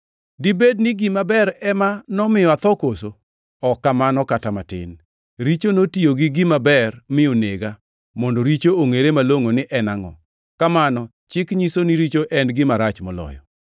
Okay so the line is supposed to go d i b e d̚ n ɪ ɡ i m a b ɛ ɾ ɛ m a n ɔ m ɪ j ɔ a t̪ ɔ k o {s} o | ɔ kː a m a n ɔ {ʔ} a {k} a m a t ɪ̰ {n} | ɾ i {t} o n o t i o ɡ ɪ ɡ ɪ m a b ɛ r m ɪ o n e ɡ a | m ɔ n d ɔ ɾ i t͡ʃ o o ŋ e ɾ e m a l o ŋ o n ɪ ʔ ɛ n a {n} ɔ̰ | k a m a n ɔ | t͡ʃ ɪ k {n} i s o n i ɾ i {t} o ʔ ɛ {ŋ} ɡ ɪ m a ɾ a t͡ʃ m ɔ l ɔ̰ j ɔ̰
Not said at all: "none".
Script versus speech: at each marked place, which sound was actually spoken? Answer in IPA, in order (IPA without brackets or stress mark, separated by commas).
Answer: s, k, t, n, t͡ʃ, ŋ, ɲ, t͡ʃ, n